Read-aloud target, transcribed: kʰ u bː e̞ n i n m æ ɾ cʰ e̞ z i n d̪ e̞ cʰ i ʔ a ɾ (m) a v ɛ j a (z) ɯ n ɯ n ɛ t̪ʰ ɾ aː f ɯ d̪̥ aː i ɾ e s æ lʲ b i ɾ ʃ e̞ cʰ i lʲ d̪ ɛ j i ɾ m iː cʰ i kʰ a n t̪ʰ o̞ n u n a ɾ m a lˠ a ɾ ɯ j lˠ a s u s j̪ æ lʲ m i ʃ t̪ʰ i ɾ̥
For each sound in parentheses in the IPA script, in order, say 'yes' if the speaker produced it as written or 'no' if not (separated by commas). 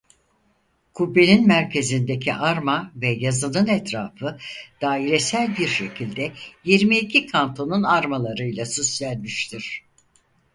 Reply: yes, yes